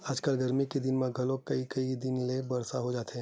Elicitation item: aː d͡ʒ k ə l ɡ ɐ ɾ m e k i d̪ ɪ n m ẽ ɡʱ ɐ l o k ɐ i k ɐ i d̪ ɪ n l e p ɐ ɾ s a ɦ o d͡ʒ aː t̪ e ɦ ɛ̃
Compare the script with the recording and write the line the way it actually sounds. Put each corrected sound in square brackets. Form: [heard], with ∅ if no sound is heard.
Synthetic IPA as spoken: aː d͡ʒ k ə l ɡ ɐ ɾ m [i] k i d̪ ɪ n m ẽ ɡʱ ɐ l o k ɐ i k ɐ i d̪ ɪ n l e [b] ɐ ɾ s a ɦ o d͡ʒ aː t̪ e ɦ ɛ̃